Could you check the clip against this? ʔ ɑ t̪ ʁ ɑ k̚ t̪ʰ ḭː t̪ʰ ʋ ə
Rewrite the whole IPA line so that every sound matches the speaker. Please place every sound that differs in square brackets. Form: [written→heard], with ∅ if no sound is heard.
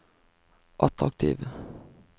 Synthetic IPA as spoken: ʔ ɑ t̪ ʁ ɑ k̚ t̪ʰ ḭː [t̪ʰ→∅] ʋ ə